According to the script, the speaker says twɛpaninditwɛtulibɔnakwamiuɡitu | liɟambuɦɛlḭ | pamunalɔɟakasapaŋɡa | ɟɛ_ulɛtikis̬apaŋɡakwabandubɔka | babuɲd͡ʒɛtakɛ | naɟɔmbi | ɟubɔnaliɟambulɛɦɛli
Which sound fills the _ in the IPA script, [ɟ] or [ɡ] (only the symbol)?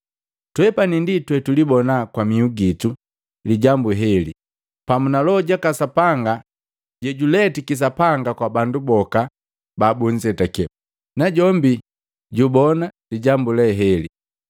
ɟ